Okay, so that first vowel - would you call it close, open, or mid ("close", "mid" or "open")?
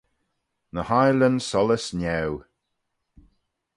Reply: mid